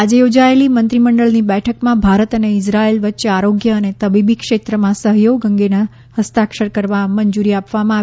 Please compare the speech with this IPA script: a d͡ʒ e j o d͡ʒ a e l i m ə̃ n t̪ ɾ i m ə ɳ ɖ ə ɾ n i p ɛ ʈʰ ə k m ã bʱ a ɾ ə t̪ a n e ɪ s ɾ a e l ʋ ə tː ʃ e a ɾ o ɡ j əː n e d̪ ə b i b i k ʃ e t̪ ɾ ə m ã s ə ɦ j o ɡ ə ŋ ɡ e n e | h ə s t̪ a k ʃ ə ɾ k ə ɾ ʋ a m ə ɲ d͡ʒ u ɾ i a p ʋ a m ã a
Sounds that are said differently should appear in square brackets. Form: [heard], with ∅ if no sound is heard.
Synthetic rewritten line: a d͡ʒ e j o d͡ʒ a e l i m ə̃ n t̪ ɾ i m ə ɳ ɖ ə [ɭ] n i [b] ɛ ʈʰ ə k m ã bʱ a ɾ ə t̪ [ə] n e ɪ s ɾ a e l ʋ ə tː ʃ e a ɾ o ɡ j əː n e [t̪] ə b i b i k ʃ e t̪ ɾ ə m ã s ə ɦ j o ɡ ə ŋ ɡ e n [a] | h ə s t̪ a k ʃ ə ɾ k ə ɾ ʋ a m ə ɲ d͡ʒ u ɾ i a p ʋ a m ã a

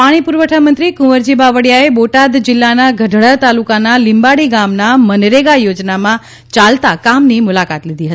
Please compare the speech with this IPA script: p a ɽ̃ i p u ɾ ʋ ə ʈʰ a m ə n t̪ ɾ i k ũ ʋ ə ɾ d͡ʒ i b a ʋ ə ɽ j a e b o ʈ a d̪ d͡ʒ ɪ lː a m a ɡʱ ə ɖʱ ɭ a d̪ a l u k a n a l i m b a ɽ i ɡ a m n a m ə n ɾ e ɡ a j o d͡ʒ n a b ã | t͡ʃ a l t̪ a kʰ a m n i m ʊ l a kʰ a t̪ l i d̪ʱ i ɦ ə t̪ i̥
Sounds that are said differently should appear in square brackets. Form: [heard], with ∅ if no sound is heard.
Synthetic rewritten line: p a ɽ̃ i p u ɾ ʋ ə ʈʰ a m ə n t̪ ɾ i k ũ ʋ ə ɾ d͡ʒ i b a ʋ ə ɽ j a e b o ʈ a d̪ d͡ʒ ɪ lː a [n] a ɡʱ ə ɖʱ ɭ a [t̪] a l u k a n a l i m b a ɽ i ɡ a m n a m ə n ɾ e ɡ a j o d͡ʒ n a [m] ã | t͡ʃ a l t̪ a [k] a m n i m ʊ l a [k] a t̪ l i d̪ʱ i ɦ ə t̪ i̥

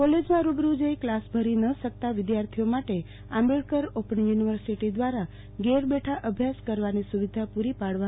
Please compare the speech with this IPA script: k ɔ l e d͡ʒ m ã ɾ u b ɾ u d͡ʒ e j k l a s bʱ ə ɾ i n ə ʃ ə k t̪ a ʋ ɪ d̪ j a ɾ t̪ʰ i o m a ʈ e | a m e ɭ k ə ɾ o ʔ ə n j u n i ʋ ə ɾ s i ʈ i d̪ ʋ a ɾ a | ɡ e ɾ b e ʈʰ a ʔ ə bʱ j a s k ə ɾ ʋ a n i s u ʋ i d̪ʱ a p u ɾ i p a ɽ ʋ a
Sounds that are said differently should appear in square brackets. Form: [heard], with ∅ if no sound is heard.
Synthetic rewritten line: k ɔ l e d͡ʒ m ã ɾ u b ɾ u d͡ʒ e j k l a s bʱ ə ɾ i n ə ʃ ə k t̪ a ʋ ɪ d̪ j a ɾ t̪ʰ i o m a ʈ e | a m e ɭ k ə ɾ o [p] ə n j u n i ʋ ə ɾ s i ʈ i d̪ ʋ a ɾ a | ɡ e ɾ b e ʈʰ a ʔ ə bʱ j a s k ə ɾ ʋ a n i s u ʋ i d̪ʱ a p u ɾ i p a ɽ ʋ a

